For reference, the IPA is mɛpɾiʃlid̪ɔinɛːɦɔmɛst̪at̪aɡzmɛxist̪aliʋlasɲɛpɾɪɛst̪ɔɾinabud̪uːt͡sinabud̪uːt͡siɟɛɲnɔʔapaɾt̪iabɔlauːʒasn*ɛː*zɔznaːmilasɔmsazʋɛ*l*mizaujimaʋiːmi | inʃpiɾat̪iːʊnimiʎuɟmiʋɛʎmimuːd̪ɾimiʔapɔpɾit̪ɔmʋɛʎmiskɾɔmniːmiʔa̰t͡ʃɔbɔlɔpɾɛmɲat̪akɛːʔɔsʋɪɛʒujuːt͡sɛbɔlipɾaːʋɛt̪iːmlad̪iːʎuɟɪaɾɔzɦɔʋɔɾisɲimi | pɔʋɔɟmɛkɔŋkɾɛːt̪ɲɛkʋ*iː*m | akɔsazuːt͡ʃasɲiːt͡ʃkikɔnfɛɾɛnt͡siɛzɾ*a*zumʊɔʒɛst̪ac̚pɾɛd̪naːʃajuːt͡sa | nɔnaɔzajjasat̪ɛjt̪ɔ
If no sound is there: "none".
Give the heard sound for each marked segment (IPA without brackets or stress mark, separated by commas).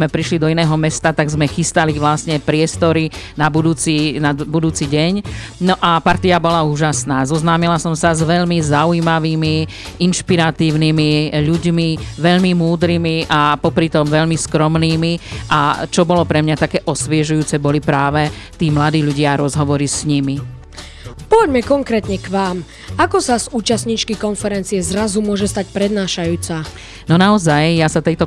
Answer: aː, ʎ, aː, a